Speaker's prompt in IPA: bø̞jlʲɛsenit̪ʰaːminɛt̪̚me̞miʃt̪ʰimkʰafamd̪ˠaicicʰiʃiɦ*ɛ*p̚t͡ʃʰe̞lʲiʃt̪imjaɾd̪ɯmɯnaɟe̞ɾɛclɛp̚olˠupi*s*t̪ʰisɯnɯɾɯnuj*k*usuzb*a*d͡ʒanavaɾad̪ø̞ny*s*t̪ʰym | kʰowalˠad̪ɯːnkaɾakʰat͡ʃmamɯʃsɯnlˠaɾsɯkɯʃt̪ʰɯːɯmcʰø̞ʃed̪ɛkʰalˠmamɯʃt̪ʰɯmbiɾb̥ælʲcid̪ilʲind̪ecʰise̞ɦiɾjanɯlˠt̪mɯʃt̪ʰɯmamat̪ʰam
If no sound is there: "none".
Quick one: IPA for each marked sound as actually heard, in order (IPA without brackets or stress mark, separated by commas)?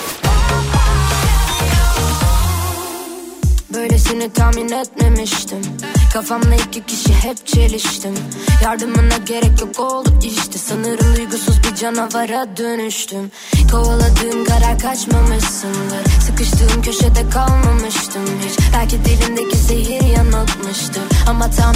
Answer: ɛ, ʃ, ɡ, i, ʃ